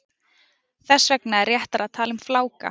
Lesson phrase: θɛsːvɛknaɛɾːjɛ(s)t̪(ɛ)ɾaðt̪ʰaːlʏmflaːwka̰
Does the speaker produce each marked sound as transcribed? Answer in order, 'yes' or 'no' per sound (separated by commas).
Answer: no, no